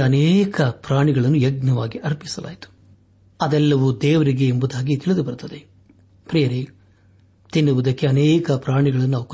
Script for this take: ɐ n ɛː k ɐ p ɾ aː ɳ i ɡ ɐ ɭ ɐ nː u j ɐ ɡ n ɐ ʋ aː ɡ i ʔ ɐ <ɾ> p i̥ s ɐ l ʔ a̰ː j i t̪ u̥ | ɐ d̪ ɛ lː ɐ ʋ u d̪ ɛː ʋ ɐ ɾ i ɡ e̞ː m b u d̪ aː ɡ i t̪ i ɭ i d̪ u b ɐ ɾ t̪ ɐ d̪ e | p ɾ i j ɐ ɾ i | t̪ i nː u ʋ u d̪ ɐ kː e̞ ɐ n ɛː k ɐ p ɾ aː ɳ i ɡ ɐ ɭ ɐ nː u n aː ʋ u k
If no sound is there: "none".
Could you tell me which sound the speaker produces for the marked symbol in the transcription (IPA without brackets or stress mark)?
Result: ɾ